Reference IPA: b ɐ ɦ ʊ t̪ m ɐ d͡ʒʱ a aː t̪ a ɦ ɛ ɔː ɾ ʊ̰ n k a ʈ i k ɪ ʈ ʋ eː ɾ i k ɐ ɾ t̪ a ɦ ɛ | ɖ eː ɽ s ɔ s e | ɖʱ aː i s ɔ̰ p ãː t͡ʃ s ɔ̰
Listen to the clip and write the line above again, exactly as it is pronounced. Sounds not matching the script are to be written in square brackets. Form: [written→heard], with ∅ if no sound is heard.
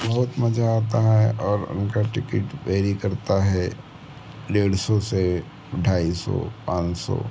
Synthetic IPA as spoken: b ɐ ɦ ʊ t̪ m ɐ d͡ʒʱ a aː t̪ a ɦ ɛ ɔː ɾ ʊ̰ n k a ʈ [i→ɪ] k ɪ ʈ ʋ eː ɾ i k ɐ ɾ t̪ a ɦ ɛ | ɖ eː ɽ s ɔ s e | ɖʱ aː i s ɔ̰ p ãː t͡ʃ s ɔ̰